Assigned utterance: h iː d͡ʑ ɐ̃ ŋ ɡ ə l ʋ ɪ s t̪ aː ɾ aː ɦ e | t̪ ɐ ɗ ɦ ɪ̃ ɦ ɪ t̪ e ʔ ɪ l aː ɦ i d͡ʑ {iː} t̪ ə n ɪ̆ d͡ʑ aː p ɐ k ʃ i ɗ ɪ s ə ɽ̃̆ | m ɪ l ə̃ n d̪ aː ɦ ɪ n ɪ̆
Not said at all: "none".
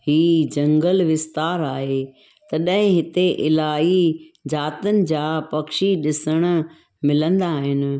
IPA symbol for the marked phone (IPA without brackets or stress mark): aː